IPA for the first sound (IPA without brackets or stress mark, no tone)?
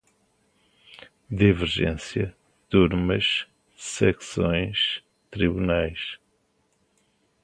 d̪